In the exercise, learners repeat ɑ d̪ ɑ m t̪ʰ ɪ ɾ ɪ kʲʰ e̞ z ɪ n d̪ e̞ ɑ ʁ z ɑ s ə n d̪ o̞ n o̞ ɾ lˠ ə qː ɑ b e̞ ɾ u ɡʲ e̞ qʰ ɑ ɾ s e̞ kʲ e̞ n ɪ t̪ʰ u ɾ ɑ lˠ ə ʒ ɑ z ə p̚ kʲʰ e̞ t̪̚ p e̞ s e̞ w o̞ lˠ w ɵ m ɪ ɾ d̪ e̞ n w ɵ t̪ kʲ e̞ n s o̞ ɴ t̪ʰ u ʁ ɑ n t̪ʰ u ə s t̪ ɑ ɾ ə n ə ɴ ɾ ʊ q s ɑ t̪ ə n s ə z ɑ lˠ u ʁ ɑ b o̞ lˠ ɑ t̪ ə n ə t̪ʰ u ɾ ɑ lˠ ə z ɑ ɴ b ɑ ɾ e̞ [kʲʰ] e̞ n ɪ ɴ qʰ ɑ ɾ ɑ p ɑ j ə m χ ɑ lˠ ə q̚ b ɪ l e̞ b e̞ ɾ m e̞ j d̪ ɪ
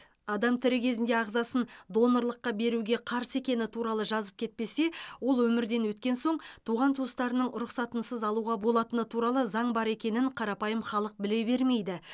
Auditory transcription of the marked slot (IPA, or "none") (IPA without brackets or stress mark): kʲ